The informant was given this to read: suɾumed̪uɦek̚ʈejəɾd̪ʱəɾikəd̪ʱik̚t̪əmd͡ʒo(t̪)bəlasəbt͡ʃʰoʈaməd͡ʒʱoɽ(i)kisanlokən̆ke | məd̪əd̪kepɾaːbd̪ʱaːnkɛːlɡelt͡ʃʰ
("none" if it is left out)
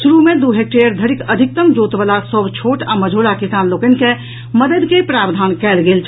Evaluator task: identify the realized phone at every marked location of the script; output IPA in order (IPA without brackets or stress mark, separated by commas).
t̪, a